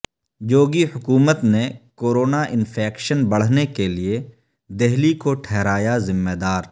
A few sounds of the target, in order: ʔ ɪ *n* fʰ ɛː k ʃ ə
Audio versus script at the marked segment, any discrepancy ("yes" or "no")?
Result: no